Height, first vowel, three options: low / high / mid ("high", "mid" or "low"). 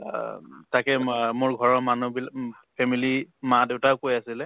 low